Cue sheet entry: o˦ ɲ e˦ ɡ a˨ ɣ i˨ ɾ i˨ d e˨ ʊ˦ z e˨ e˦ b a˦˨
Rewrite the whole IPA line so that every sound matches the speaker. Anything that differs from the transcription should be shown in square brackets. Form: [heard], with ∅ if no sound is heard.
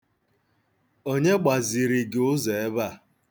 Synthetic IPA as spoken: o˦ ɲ e˦ [ɡ͡b] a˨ [z] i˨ ɾ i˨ [ɡ] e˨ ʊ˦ z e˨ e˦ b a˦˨